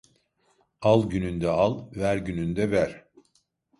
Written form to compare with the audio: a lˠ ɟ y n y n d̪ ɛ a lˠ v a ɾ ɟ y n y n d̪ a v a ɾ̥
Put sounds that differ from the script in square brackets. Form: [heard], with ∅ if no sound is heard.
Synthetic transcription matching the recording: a lˠ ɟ y n y n d̪ ɛ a lˠ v [æ] ɾ ɟ y n y n d̪ [ɛ] v [æ] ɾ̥